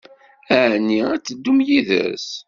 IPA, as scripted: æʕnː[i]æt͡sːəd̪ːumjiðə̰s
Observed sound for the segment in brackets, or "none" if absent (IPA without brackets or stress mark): i